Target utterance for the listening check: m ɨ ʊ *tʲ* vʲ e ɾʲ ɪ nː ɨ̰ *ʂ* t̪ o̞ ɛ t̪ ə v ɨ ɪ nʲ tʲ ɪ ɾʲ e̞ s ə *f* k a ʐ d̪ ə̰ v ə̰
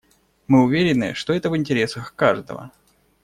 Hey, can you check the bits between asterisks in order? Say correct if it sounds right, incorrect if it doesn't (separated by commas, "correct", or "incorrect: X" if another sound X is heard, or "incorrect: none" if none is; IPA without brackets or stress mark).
incorrect: none, correct, incorrect: x